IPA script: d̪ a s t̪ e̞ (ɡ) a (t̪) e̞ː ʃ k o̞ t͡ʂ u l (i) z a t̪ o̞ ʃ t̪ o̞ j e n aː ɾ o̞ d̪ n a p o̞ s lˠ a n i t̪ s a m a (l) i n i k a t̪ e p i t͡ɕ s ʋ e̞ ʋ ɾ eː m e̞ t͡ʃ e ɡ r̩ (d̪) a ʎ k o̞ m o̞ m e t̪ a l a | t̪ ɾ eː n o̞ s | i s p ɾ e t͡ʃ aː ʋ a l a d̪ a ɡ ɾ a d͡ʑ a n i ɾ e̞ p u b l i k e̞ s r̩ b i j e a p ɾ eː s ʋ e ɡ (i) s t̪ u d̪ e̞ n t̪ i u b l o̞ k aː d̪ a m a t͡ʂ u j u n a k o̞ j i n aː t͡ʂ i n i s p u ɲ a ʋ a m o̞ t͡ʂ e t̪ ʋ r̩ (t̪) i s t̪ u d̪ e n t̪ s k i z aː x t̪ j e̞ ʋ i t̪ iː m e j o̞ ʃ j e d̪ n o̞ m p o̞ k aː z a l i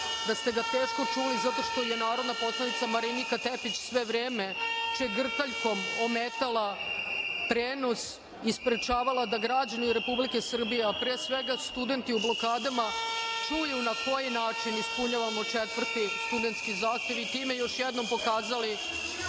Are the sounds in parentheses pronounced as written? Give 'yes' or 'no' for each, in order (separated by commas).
yes, yes, yes, no, no, no, yes